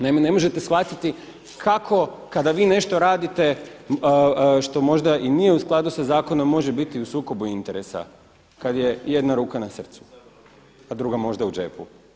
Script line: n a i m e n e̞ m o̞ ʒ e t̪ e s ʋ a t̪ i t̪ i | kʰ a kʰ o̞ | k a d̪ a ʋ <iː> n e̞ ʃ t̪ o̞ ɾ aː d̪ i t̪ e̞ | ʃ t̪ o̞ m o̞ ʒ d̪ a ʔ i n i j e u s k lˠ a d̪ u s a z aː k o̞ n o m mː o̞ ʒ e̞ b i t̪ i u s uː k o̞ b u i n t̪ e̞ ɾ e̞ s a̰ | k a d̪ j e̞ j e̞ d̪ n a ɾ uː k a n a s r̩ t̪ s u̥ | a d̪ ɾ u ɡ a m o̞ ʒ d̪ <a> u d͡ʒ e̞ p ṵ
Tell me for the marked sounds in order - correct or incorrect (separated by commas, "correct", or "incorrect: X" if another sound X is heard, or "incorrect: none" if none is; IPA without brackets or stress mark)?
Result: correct, correct